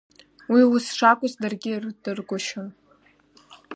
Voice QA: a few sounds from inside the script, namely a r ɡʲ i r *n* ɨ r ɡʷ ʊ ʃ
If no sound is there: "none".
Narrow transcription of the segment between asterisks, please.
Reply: d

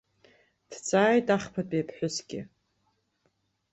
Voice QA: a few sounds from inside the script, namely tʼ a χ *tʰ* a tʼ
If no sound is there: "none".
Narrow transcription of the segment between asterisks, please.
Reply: pʰ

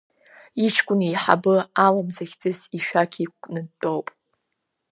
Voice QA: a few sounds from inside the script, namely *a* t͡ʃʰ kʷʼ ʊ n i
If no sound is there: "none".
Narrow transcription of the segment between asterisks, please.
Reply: i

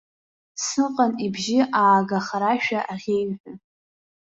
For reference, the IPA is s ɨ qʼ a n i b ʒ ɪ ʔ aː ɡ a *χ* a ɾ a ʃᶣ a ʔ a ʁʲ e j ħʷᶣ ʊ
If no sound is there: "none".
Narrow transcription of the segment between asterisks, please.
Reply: χ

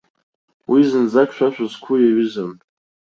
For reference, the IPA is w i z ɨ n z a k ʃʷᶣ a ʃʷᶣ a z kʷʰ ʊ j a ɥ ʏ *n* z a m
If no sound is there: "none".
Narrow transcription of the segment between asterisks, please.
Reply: none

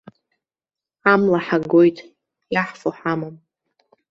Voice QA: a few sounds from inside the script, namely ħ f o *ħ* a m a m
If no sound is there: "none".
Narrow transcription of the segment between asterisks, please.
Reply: ħ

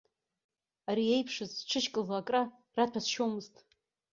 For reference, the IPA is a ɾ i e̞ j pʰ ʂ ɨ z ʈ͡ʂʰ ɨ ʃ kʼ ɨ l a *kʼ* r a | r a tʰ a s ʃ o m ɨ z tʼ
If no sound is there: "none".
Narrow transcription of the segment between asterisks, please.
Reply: kʼ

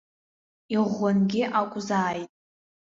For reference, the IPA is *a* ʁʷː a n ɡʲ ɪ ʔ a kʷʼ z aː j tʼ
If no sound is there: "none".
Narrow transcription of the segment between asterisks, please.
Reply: i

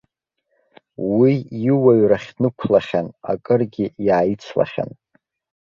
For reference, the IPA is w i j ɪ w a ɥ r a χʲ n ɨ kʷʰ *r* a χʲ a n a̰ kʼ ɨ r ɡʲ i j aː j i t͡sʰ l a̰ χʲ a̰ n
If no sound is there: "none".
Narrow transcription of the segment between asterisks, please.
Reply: l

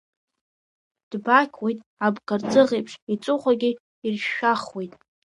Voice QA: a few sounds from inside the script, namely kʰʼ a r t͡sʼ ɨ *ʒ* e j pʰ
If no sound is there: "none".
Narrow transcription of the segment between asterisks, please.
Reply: ʁ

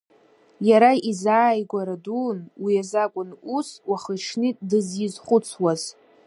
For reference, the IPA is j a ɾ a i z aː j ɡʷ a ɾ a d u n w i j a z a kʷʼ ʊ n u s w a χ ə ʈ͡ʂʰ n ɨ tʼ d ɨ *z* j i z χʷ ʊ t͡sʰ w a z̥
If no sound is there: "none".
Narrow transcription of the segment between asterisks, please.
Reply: z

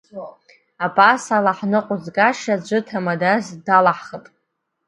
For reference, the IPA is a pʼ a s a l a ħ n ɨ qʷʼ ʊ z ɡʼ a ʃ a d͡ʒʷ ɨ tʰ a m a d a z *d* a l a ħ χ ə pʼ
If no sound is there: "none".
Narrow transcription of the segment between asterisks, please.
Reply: d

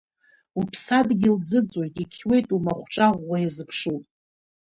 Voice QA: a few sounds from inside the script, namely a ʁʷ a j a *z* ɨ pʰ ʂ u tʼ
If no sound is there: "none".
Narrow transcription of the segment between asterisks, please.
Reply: z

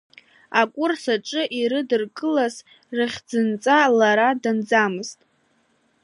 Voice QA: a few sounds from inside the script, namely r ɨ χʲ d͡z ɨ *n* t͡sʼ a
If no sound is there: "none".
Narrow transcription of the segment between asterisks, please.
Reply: n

